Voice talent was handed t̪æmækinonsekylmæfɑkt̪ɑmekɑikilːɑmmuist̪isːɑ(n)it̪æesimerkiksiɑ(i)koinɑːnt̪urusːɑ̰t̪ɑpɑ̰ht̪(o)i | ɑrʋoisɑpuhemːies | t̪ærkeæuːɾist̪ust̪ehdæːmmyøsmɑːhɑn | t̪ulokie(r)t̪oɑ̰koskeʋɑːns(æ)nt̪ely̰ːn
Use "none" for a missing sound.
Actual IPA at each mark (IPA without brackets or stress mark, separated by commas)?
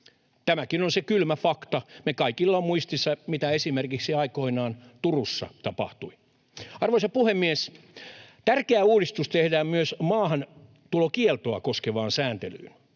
m, i, u, l, æː